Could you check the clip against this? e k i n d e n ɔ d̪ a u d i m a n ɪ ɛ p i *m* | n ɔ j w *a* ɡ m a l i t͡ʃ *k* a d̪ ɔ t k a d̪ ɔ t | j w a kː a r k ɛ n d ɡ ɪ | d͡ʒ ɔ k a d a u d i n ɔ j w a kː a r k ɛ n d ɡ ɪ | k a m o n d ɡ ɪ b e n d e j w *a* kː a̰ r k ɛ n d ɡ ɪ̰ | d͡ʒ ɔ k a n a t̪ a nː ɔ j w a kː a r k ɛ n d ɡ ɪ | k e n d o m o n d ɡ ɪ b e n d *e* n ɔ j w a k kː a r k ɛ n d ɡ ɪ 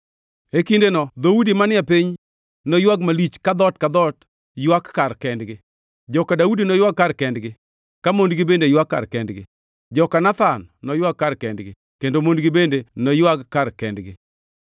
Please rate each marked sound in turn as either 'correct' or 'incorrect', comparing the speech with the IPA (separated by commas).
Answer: incorrect, correct, correct, correct, correct